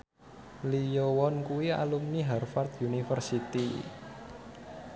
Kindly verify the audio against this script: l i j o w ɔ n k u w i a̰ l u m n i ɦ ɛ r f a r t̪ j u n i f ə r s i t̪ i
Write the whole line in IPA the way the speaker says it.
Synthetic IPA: l i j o w ɔ n k u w i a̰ l u m n i ɦ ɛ r f a r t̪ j u n i f ə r s i t̪ i